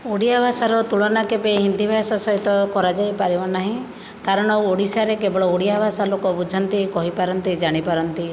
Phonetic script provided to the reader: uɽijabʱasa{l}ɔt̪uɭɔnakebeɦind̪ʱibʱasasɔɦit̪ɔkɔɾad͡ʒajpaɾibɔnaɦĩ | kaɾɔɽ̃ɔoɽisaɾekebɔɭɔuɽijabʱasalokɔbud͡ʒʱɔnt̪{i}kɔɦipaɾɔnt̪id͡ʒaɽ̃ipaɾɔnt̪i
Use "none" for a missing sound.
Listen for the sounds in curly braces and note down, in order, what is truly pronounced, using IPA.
ɾ, i

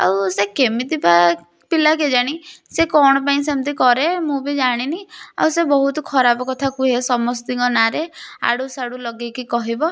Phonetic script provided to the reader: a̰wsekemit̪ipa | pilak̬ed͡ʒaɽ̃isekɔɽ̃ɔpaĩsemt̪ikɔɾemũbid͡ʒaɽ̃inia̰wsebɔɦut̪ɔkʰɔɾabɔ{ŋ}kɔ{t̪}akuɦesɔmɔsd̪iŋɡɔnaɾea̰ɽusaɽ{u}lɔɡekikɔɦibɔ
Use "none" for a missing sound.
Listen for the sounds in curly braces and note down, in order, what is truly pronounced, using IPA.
none, t̪ʰ, u

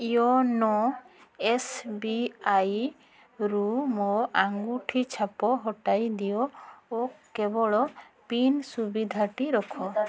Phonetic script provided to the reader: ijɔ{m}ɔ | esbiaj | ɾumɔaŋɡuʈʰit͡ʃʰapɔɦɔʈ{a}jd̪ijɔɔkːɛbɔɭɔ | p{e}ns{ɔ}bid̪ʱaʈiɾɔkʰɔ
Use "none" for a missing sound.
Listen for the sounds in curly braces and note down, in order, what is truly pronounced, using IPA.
n, a, i, u

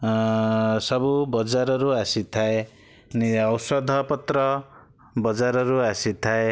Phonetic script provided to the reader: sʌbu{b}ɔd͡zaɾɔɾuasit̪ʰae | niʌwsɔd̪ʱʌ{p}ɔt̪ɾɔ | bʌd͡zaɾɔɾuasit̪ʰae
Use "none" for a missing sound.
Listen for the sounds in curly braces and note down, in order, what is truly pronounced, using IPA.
b, p

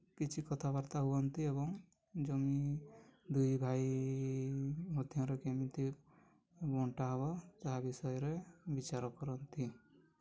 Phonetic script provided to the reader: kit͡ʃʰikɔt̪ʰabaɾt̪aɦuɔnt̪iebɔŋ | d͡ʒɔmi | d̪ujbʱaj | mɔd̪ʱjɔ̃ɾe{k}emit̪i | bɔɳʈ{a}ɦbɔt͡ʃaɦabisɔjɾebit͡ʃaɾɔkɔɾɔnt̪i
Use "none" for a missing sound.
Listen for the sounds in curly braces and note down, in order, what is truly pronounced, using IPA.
k, a

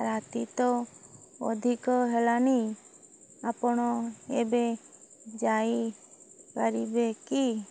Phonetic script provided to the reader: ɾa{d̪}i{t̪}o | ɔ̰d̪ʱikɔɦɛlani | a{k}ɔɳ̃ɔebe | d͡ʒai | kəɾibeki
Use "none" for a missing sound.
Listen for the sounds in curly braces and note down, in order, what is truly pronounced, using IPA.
t̪, t̪, p

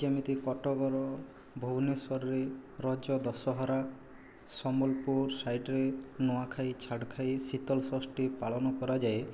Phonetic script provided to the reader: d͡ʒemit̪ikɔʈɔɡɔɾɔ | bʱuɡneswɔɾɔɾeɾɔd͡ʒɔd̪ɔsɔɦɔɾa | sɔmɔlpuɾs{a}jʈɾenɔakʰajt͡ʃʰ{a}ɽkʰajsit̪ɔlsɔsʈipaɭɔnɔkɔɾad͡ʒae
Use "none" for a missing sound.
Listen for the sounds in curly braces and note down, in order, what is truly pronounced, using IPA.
a, a

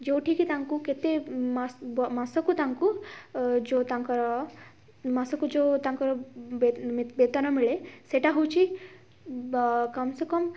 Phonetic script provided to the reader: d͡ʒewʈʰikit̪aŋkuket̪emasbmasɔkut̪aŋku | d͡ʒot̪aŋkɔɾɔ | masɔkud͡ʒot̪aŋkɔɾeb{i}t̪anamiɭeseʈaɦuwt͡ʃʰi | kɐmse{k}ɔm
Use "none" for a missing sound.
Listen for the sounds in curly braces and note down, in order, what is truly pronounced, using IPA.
e, k

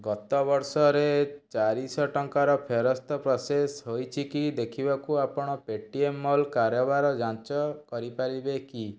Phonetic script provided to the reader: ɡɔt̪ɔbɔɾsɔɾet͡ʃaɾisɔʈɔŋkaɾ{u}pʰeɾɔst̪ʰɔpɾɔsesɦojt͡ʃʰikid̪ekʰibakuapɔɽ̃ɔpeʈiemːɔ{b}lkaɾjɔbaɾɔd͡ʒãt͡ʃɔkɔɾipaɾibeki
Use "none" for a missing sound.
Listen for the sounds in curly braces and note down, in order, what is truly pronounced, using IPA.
ɔ, none

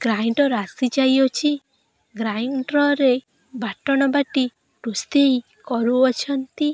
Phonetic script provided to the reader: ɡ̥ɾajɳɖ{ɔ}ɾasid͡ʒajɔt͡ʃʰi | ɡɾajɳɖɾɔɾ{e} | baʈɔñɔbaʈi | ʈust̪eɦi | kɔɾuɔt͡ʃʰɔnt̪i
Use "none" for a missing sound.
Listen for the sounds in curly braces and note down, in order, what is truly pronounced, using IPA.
ɔ, e

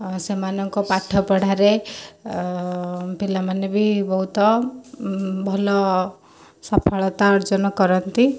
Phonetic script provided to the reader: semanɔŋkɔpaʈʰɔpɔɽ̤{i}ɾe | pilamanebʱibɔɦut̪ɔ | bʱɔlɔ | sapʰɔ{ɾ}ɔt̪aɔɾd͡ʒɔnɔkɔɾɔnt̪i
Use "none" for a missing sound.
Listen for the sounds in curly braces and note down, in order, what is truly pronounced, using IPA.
a, ɭ

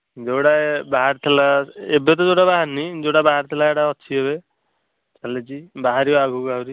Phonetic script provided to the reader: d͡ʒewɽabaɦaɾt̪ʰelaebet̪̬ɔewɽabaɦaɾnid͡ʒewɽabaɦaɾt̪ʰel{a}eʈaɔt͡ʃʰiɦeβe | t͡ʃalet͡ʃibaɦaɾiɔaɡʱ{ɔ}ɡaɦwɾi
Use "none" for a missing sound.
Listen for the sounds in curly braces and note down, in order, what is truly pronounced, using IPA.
a, u

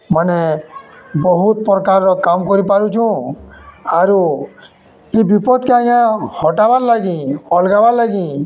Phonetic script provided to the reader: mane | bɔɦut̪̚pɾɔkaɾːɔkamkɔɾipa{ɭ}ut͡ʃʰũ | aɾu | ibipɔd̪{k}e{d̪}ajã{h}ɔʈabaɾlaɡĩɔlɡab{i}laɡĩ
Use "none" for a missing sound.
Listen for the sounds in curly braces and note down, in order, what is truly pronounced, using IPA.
ɾ, k, none, h, a

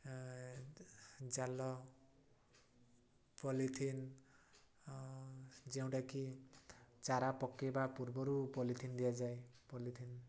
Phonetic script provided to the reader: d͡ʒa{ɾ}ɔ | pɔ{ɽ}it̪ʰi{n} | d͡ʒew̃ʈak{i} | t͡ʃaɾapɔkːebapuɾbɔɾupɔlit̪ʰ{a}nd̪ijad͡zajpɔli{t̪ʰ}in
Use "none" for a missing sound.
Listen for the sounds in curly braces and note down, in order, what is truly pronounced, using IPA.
l, l, n, i, i, t̪ʰ

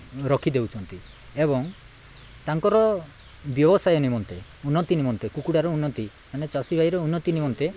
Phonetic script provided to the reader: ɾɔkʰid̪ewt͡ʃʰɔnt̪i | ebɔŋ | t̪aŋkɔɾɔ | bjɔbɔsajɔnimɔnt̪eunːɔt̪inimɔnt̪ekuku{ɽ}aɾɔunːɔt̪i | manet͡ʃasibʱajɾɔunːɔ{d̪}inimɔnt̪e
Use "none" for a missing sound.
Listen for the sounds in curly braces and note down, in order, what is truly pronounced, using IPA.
ɽ, t̪

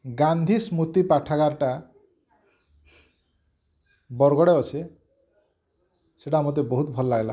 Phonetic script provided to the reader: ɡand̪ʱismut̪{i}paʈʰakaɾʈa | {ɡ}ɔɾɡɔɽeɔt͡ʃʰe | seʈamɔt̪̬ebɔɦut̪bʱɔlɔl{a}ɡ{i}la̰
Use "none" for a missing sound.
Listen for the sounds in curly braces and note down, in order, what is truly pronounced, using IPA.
i, b, a, e

